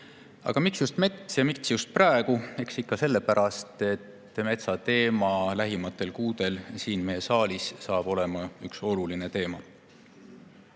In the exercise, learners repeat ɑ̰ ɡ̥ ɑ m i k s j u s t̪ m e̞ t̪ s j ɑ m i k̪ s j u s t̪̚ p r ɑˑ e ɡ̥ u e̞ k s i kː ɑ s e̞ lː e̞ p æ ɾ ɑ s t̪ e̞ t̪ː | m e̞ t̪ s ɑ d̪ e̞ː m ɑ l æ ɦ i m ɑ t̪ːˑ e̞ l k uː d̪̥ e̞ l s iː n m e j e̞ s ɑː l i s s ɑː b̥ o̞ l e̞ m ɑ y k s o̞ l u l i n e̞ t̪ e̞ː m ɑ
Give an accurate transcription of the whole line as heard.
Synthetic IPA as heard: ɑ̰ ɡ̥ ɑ m i k s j u s t̪ m e̞ t̪ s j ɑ m i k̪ s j u s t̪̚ p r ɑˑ e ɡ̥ u e̞ k s i kː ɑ s e̞ lː e̞ p æ ɾ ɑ s t̪ e̞ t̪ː | m e̞ t̪ s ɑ t̪ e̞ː m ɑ l æ ɦ i m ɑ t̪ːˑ e̞ l k uː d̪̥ e̞ l s iː n m e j e̞ s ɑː l i s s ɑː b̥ o̞ l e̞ m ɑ y k s o̞ l u l i n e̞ t̪ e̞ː m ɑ